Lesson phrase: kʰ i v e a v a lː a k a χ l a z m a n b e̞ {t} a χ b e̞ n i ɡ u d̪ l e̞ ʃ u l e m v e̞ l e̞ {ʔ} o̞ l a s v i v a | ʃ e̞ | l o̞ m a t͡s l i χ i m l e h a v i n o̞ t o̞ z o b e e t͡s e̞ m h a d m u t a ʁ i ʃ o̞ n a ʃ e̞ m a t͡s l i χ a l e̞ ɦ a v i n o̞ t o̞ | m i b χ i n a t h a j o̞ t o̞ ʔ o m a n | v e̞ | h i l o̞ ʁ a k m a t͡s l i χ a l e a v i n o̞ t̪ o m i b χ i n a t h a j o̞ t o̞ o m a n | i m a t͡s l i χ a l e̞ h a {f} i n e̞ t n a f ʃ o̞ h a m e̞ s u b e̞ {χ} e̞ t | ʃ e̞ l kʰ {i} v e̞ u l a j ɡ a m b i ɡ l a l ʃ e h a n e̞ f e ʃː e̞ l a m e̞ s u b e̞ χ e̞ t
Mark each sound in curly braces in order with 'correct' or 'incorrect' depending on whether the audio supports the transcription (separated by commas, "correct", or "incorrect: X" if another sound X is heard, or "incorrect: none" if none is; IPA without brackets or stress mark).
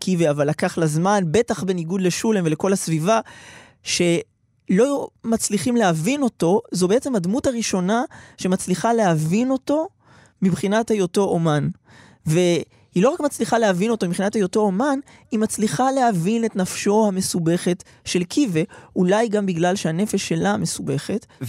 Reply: correct, incorrect: k, incorrect: v, correct, correct